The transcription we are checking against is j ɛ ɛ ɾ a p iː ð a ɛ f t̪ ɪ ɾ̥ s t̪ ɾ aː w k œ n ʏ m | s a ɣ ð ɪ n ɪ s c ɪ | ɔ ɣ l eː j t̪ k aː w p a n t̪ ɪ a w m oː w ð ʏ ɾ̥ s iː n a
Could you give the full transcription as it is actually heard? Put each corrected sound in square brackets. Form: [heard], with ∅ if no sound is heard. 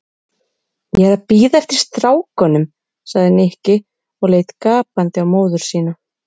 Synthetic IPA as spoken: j ɛ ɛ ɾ a p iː ð a ɛ f t̪ ɪ ɾ̥ s t̪ ɾ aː w k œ n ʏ m | s a ɣ ð ɪ n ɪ [h] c ɪ | ɔ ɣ l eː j t̪ k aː [∅] p a n t̪ ɪ a w m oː w ð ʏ ɾ̥ s iː n a

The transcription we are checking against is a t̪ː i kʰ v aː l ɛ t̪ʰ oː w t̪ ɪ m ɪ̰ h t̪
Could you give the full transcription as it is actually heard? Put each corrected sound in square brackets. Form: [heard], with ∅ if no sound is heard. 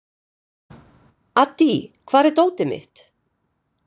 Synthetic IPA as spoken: a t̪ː i kʰ v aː [ɾ] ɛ [t̪] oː w t̪ ɪ m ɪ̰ h t̪

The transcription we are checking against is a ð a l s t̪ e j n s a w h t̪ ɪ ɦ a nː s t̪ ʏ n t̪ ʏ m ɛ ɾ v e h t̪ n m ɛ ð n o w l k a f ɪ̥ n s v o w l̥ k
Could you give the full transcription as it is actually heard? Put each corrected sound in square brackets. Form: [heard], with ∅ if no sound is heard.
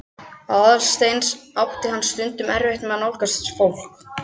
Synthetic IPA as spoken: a ð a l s t̪ e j n s a w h t̪ ɪ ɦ a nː s t̪ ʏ n t̪ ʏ m ɛ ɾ v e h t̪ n m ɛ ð n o w l k a [s] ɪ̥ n s [f] o w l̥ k

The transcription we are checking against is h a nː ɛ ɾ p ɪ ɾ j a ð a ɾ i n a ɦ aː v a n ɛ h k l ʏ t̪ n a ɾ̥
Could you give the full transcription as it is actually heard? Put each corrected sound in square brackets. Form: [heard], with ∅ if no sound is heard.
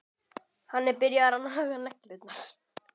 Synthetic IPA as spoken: h a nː ɛ ɾ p ɪ ɾ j a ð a ɾ [a] n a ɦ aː [ɣ] a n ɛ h k l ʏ t̪ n a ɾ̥

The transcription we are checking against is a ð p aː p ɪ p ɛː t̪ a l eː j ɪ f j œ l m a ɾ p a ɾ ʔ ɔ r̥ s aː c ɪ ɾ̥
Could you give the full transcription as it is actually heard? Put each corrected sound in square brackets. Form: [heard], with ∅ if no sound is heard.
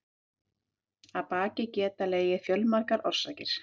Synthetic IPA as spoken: a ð p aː [c] ɪ [c] ɛː t̪ a l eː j ɪ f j œ l m a ɾ [k] a ɾ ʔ ɔ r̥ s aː c ɪ ɾ̥

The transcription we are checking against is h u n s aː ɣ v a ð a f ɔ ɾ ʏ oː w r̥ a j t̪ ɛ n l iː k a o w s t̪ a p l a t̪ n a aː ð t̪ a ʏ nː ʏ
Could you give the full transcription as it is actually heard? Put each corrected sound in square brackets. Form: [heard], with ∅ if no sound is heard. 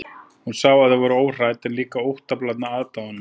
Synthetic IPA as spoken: h u n s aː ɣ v a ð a [v] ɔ ɾ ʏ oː w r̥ a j t̪ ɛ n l iː k a o w [h] t̪ a p l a t̪ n a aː ð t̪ a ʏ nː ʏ

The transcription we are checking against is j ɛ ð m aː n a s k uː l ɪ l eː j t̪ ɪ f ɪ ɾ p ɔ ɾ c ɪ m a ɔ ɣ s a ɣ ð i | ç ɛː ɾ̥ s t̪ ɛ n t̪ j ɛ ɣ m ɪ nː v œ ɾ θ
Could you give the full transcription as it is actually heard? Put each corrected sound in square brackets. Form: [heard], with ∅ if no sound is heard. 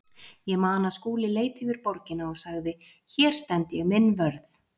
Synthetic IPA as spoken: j ɛ [ɣ] m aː n a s k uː l ɪ l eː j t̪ ɪ [v] ɪ ɾ p ɔ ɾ c ɪ [n] a ɔ ɣ s a ɣ ð [ɪ] | ç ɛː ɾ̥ s t̪ ɛ n t̪ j ɛ ɣ m ɪ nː v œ ɾ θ

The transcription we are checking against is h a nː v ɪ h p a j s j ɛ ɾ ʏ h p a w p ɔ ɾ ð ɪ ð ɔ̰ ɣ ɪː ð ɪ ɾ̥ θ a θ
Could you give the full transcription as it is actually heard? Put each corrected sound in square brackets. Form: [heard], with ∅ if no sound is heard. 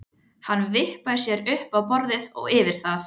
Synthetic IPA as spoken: h a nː v ɪ h p a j s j ɛ ɾ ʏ h p a w p ɔ ɾ ð ɪ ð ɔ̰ ɣ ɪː [v] ɪ ɾ̥ θ a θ

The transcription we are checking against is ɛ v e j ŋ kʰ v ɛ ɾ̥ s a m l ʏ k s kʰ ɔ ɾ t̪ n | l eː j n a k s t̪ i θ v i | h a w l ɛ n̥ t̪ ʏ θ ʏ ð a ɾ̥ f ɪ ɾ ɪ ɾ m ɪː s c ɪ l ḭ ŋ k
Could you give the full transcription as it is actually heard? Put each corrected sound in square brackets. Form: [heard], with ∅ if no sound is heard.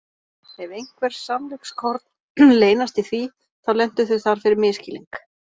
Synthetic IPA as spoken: ɛ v e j ŋ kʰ v ɛ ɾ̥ s a m l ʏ k s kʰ ɔ ɾ t̪ n | l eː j n a [∅] s t̪ i θ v i | [θ] a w l ɛ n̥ t̪ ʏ θ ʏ [θ] a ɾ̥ f ɪ ɾ ɪ ɾ m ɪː s c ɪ l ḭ ŋ k

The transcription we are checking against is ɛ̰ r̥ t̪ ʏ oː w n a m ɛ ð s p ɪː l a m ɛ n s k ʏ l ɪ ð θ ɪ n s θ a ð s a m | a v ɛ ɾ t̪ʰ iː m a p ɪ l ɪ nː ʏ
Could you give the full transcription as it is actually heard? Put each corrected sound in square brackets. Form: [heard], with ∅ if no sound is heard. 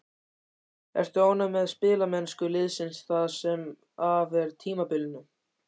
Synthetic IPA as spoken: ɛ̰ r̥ t̪ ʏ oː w n a m ɛ ð s p ɪː l a m ɛ n s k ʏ l ɪ ð [s] ɪ n s θ a ð s [ɛ] m | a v ɛ ɾ t̪ʰ iː m a p ɪ l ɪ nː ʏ

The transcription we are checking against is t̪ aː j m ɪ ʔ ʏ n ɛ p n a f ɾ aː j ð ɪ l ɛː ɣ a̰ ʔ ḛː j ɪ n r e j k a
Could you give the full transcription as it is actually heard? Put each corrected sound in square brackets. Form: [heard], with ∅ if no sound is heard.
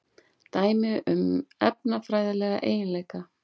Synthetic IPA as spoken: t̪ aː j m ɪ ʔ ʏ [m] ɛ p n a f ɾ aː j ð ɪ l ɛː ɣ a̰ ʔ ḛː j ɪ n [l] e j k a

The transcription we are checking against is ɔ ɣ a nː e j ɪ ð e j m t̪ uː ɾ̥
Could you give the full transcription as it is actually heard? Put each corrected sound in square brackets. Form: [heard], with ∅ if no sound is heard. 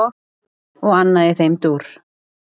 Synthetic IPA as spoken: ɔ ɣ a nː [a] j ɪ [θ] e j m t̪ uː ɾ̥

